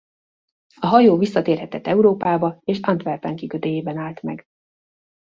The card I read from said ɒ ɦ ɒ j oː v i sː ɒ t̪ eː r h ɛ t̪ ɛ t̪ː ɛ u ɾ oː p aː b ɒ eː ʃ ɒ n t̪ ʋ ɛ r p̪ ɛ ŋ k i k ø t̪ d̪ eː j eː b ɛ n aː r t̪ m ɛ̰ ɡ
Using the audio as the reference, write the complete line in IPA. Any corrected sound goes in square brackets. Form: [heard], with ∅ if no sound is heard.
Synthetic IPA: ɒ ɦ ɒ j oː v i sː ɒ t̪ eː r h ɛ t̪ ɛ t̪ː ɛ u ɾ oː p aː b ɒ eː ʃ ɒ n t̪ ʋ ɛ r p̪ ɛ ŋ k i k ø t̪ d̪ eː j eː b ɛ n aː [l] t̪ m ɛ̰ ɡ